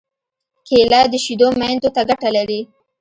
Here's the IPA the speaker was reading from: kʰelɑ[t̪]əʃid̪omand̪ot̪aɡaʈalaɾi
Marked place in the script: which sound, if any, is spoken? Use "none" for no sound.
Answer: d̪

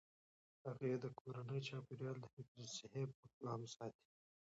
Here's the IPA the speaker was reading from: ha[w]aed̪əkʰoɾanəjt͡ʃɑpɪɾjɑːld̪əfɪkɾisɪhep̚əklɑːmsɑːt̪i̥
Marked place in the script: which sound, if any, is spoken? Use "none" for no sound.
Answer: ɣ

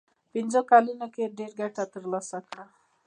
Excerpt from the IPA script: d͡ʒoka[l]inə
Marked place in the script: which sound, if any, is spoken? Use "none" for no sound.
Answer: l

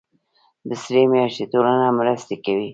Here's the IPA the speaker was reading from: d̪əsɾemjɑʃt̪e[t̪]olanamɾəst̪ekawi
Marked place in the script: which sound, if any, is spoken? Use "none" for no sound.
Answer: t̪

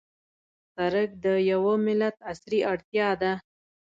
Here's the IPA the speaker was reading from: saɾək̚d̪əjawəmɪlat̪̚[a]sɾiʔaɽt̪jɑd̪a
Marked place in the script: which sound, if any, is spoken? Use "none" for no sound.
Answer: a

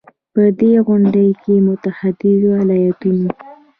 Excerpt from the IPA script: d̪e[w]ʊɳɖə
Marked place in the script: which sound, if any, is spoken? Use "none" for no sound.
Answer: ɣ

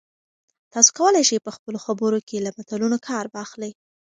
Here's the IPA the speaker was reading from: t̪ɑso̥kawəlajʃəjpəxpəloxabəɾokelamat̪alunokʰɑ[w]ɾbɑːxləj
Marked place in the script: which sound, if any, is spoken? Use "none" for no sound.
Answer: none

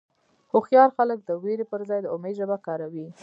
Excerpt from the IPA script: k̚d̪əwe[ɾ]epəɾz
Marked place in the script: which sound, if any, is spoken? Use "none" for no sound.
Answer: ɾ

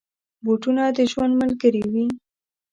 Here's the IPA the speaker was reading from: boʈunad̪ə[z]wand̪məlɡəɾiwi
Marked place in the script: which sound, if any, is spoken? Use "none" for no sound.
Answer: ʒ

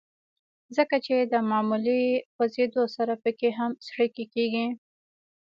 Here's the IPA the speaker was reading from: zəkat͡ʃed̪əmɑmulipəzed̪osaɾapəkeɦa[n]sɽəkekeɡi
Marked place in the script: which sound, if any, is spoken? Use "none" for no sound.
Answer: m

